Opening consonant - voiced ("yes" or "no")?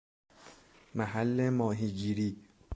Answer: yes